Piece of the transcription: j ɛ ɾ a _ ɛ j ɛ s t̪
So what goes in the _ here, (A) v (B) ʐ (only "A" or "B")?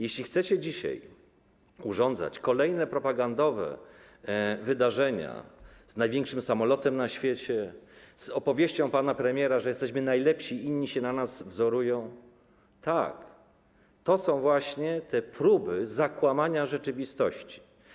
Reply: B